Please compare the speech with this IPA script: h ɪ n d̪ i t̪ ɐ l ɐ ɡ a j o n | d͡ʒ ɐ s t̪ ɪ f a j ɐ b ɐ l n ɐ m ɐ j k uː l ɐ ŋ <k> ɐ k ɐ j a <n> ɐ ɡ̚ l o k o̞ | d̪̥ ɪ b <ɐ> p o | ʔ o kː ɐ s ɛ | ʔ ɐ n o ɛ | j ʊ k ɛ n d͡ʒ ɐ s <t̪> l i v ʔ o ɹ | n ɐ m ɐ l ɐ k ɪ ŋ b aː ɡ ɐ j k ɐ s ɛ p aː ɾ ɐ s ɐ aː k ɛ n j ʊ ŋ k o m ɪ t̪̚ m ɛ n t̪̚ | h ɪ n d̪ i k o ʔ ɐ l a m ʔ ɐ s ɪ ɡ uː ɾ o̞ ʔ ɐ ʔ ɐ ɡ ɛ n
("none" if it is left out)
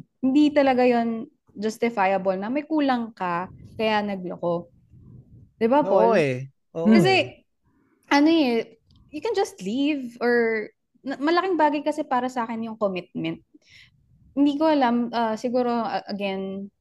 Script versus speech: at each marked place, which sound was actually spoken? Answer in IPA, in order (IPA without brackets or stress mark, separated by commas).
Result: k, n, a, t̪